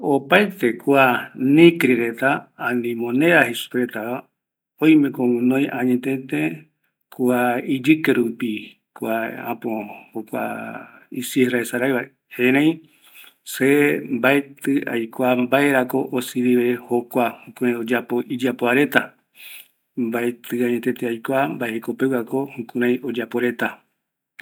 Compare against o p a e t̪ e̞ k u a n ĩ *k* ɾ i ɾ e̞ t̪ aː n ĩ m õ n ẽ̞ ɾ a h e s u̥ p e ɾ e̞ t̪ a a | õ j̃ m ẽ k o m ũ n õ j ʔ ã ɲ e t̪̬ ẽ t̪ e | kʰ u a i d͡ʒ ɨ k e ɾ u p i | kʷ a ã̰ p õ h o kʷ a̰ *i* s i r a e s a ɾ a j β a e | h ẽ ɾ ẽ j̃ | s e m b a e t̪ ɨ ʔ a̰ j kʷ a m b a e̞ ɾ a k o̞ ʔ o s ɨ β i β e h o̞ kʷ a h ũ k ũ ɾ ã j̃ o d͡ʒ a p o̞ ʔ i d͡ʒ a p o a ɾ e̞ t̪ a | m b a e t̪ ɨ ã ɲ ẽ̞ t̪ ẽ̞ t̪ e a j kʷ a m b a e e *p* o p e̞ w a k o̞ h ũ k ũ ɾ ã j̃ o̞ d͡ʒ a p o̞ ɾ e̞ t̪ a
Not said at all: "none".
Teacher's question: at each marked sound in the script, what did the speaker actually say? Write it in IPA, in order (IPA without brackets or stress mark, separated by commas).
k, i, k